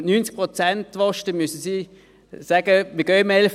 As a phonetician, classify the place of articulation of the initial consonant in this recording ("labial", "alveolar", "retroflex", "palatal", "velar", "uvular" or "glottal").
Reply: alveolar